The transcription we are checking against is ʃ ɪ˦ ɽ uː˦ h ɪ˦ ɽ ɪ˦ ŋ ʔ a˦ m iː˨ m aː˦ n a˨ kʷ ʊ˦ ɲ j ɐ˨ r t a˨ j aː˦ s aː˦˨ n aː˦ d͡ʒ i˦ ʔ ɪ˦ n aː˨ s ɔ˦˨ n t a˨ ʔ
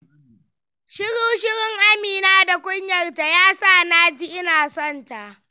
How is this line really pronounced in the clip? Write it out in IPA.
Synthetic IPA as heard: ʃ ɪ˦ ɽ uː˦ ʃ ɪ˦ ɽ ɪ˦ ŋ ʔ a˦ m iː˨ n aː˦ d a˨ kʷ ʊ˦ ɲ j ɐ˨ r t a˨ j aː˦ s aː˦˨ n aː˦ d͡ʒ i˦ ʔ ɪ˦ n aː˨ s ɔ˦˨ n t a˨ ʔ